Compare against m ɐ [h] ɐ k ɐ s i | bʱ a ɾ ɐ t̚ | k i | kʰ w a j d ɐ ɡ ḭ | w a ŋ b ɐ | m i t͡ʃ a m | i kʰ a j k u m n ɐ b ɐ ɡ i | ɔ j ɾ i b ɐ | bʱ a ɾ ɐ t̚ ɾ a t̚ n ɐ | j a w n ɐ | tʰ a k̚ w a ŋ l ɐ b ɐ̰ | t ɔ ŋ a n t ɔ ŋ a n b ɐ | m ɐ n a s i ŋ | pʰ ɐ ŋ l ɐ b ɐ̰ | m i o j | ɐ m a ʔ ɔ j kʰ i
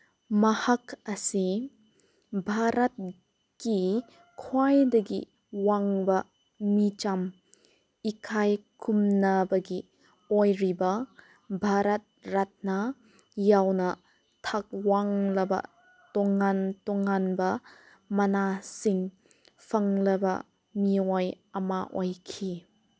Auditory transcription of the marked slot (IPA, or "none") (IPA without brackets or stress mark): h